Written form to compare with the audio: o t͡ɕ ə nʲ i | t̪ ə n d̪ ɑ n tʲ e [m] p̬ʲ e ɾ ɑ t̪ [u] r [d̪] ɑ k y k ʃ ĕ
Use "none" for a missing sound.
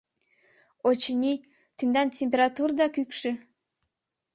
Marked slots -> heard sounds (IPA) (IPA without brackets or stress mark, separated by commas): m, u, d̪